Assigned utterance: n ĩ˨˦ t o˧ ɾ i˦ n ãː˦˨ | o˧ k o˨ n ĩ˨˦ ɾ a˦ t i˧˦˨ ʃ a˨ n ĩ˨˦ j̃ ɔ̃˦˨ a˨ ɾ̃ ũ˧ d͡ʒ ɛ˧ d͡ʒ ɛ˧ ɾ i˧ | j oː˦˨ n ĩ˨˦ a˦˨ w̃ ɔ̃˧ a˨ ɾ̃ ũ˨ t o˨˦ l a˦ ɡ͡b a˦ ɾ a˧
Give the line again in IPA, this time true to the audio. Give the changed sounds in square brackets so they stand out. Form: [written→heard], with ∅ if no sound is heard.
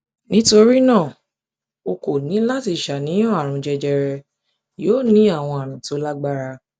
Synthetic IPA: n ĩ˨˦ t o˧ ɾ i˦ n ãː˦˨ | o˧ k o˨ n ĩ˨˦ [ɾ→l] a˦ t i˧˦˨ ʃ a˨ n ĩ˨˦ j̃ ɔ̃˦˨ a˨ ɾ̃ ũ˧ d͡ʒ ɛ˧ d͡ʒ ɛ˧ ɾ [i˧→ɛ˧] | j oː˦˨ n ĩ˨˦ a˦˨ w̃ ɔ̃˧ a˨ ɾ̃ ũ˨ t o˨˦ l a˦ ɡ͡b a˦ ɾ a˧

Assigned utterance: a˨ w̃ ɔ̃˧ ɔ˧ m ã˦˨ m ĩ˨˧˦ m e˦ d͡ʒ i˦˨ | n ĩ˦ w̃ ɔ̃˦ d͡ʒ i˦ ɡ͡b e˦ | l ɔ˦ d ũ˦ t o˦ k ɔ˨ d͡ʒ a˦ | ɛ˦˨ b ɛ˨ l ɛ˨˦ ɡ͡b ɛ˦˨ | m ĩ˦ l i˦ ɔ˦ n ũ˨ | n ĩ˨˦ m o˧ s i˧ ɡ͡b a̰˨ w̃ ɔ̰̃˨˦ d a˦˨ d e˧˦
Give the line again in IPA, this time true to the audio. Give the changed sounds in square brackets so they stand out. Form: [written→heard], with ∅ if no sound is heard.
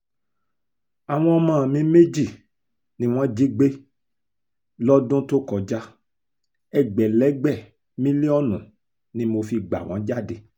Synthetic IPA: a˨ w̃ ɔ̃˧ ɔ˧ m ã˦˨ m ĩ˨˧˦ m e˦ d͡ʒ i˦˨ | n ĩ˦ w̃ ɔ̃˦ d͡ʒ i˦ ɡ͡b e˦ | l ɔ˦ d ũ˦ t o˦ k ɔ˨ d͡ʒ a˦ | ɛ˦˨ [b→ɡ͡b] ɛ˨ l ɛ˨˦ ɡ͡b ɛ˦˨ | m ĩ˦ l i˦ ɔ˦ n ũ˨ | n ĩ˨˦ m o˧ [s→f] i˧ ɡ͡b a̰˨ w̃ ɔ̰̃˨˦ [d→d͡ʒ] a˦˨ d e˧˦

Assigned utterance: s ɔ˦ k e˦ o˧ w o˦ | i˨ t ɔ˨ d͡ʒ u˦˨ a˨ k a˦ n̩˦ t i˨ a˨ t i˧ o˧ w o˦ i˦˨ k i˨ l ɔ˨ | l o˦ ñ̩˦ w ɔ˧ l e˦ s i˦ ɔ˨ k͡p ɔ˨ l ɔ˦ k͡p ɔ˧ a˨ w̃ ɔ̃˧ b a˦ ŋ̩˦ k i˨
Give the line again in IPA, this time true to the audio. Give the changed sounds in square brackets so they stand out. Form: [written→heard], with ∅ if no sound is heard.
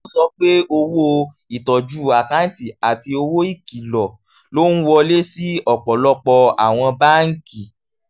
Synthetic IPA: s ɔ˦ [k→k͡p] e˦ o˧ w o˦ | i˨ t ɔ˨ d͡ʒ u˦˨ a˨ k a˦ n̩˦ t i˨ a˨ t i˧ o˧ w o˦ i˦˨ k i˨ l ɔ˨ | l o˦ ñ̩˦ w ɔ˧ l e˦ s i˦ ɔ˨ k͡p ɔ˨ l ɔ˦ k͡p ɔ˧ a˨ w̃ ɔ̃˧ b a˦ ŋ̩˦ k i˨

